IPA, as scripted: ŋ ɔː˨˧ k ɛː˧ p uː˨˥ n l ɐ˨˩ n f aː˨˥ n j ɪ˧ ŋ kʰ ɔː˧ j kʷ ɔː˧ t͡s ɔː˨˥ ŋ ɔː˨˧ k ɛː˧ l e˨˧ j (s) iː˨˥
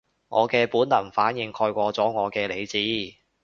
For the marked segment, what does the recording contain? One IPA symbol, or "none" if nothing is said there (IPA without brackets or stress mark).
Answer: t͡s